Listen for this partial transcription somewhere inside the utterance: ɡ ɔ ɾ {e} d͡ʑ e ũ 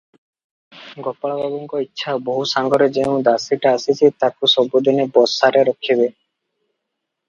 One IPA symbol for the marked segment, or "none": e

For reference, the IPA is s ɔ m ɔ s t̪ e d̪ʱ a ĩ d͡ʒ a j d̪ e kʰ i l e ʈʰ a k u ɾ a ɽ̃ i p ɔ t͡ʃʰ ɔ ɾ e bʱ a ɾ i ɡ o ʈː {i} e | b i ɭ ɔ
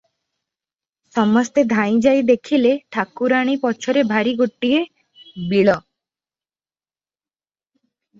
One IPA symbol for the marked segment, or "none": i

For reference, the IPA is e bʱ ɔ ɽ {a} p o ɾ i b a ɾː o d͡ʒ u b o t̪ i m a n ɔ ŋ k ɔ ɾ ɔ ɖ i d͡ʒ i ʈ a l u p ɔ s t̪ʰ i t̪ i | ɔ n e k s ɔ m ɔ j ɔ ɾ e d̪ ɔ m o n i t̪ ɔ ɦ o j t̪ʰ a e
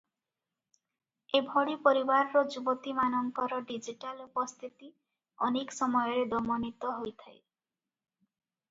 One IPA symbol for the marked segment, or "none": i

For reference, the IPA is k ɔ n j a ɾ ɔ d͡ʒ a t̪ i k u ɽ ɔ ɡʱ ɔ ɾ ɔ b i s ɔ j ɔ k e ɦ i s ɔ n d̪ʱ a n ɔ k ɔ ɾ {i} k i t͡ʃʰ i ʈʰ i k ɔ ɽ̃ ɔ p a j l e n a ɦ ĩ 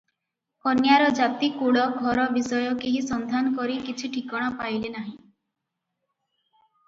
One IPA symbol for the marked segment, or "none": i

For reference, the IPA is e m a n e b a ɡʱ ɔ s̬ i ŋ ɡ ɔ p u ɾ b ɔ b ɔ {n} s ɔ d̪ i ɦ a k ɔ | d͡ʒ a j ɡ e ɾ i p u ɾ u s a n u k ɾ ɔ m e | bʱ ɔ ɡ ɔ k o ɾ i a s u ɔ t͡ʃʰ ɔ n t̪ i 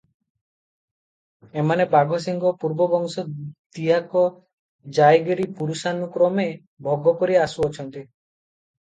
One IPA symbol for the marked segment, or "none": ŋ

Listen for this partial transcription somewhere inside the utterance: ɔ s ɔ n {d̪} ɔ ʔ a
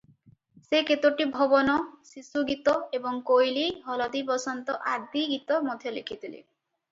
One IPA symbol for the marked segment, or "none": t̪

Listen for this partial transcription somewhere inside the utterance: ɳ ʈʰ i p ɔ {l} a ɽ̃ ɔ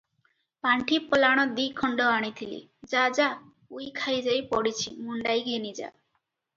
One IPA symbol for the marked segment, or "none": l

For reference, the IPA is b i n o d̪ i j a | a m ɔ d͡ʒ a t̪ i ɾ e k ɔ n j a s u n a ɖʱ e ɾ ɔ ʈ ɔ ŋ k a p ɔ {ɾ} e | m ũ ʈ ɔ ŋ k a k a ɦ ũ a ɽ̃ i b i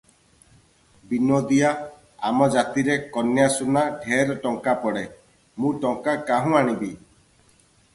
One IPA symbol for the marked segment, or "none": ɽ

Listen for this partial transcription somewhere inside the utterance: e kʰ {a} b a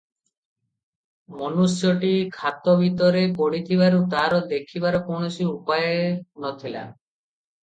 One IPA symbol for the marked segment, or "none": i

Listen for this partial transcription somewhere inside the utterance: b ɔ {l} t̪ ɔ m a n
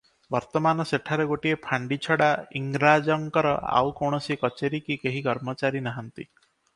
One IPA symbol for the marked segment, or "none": ɾ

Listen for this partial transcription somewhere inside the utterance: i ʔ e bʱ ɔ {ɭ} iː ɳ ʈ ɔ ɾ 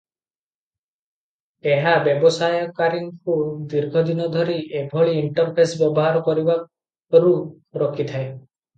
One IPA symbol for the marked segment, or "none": ɭ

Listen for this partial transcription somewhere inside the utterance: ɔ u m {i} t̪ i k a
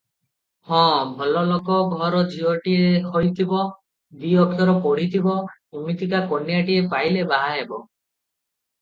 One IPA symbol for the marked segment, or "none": i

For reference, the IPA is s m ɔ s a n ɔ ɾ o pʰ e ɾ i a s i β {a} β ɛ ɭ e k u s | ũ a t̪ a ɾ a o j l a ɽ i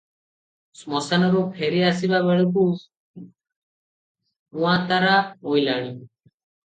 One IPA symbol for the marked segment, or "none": a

